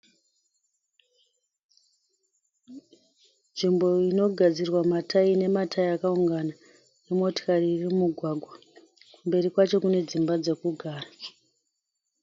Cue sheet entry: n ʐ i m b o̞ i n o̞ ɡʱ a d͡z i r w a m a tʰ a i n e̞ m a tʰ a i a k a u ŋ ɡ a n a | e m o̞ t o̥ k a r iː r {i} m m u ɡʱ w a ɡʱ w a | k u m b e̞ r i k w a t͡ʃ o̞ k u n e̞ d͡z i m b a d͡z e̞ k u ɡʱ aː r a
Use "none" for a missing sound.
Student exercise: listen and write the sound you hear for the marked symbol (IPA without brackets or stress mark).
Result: i